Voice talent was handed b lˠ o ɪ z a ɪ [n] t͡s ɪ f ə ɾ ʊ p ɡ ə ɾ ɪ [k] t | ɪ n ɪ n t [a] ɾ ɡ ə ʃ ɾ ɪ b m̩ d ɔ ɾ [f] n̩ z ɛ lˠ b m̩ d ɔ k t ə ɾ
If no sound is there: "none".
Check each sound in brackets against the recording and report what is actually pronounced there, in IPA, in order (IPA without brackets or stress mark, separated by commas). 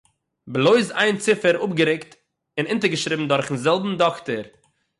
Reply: n, k, ə, χ